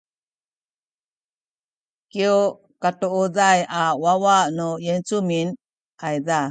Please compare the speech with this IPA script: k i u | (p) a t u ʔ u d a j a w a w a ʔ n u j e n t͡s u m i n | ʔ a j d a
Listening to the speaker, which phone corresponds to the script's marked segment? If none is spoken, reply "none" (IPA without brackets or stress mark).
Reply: k